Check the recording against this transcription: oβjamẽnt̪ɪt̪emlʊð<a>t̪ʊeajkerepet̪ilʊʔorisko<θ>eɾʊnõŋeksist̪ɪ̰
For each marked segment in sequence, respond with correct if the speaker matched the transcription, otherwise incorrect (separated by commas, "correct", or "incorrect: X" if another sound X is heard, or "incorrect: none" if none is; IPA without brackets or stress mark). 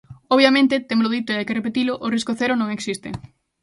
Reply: incorrect: i, correct